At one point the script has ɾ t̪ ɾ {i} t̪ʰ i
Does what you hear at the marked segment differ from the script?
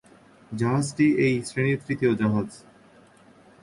no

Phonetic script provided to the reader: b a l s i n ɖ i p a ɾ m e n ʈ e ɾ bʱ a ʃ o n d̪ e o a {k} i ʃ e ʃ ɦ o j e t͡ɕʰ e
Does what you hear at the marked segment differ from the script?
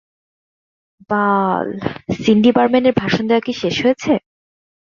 no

